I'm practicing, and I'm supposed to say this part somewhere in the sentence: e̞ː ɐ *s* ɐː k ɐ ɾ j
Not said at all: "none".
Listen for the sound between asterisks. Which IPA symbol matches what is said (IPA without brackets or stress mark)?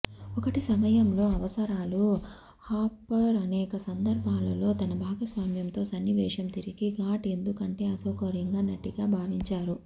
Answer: s